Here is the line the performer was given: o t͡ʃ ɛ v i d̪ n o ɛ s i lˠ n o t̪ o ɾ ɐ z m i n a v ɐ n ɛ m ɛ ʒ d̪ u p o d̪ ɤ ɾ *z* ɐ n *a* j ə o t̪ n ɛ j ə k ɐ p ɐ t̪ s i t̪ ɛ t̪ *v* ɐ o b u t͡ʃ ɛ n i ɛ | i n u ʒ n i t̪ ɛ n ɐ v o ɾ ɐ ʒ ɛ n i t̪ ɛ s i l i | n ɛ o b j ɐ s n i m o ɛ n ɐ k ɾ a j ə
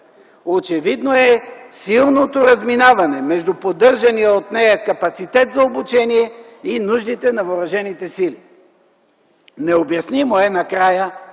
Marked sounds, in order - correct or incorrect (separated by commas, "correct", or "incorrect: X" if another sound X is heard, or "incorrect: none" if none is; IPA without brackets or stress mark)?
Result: incorrect: ʒ, incorrect: i, incorrect: z